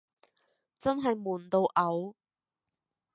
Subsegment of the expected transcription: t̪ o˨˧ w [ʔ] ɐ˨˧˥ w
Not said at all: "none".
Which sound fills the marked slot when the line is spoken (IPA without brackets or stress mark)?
ʔ